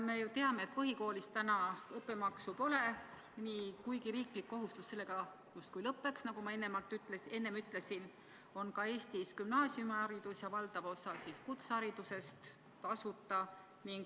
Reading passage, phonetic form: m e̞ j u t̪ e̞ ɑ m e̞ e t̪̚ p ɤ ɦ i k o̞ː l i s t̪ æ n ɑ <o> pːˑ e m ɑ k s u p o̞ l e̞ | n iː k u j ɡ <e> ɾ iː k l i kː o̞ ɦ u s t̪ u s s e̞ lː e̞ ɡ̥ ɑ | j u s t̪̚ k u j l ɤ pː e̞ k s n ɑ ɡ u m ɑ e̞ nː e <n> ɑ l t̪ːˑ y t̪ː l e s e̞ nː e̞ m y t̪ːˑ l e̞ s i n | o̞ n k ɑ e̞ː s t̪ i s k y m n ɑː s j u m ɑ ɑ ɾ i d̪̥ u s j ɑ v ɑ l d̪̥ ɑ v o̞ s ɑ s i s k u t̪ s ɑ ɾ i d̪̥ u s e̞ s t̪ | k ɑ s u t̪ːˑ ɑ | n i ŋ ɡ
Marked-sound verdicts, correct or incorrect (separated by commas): incorrect, incorrect, incorrect